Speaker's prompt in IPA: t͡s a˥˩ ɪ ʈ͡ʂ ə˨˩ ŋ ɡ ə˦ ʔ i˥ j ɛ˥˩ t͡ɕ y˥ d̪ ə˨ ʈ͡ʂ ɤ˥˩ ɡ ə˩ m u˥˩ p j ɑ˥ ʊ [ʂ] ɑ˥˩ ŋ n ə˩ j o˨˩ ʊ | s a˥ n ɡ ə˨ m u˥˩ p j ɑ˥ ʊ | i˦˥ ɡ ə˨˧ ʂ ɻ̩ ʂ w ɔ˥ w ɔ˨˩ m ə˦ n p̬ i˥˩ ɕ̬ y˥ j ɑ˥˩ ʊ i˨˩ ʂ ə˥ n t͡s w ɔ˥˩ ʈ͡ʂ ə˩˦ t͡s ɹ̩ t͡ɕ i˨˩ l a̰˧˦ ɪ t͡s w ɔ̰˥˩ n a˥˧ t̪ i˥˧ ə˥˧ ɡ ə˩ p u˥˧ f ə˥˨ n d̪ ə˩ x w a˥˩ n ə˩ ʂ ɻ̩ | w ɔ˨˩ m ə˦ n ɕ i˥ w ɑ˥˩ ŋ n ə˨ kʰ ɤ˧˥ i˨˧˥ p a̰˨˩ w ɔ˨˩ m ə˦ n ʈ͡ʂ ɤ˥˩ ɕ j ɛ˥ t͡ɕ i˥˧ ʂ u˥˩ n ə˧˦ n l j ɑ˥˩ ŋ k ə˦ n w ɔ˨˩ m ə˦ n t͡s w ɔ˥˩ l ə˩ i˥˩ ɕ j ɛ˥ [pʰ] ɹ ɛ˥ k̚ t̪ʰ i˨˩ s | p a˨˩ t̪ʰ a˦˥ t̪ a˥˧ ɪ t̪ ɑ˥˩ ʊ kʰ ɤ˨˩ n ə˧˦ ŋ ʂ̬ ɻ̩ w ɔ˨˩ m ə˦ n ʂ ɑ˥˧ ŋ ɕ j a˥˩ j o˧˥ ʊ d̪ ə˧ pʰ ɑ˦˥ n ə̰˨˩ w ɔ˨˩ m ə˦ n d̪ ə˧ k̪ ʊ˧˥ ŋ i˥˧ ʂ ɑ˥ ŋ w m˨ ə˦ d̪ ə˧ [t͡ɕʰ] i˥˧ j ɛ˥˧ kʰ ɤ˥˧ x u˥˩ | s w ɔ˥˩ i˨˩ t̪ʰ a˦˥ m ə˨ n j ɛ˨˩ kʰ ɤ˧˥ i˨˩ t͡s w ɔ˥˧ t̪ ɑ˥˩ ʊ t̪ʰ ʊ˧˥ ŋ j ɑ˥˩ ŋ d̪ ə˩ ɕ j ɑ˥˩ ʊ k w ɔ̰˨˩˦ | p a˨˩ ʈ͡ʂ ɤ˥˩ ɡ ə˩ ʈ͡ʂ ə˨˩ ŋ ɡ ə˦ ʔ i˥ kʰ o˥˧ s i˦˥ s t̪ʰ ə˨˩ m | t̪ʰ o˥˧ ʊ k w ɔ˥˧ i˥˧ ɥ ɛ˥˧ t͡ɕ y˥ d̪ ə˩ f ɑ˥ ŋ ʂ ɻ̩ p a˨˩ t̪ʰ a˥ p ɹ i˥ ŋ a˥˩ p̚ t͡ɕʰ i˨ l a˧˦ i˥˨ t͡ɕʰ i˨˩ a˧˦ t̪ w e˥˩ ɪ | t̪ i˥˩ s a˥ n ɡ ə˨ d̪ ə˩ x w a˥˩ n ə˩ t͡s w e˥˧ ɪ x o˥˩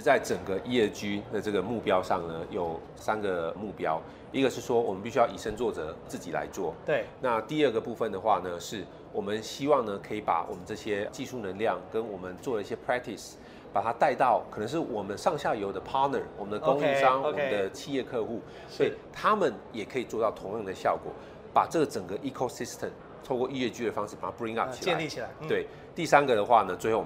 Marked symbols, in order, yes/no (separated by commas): yes, yes, yes